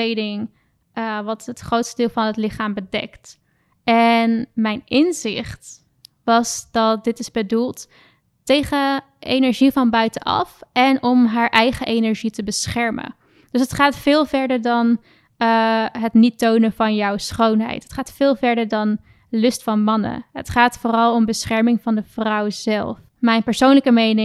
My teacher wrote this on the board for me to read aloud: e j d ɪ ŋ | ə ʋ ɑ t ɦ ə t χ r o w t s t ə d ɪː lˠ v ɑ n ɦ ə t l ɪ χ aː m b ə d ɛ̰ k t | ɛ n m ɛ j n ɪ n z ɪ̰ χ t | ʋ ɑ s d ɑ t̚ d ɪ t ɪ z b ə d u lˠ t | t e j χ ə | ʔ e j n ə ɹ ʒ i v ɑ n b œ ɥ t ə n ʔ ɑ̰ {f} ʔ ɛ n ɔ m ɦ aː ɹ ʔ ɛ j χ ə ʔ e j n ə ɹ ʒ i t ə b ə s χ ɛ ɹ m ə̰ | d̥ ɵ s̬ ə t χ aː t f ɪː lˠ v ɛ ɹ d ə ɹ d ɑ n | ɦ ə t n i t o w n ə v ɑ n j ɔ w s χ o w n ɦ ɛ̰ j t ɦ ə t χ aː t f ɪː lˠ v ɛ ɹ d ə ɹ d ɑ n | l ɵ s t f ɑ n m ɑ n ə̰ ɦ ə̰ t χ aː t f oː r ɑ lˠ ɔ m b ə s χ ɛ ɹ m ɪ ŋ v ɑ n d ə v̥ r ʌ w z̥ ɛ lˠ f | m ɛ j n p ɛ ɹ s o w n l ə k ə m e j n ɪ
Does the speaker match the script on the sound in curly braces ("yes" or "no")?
yes